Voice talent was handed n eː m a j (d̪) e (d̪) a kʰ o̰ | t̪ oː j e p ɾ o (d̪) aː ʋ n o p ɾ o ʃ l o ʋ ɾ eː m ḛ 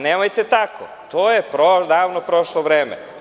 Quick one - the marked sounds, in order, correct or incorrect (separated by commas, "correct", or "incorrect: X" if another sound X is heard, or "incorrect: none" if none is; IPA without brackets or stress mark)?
incorrect: t̪, incorrect: t̪, correct